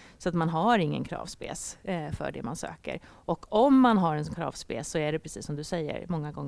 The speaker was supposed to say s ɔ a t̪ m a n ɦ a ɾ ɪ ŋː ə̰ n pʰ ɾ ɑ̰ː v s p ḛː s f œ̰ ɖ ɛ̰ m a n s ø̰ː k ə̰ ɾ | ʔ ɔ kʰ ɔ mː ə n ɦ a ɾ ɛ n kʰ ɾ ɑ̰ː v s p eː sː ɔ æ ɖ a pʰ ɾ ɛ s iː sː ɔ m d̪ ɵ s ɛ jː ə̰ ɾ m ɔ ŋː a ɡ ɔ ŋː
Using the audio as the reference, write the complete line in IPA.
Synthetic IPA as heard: s ɔ a t̪ m a n ɦ a ɾ ɪ ŋː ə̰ n kʰ ɾ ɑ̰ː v s p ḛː s f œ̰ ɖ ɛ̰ m a n s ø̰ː k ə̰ ɾ | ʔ ɔ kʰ ɔ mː a n ɦ a ɾ ɛ n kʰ ɾ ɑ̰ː v s p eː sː ɔ æ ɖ ɛ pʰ ɾ ɛ s iː sː ɔ m d̪ ɵ s ɛ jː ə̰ ɾ m ɔ ŋː a ɡ ɔ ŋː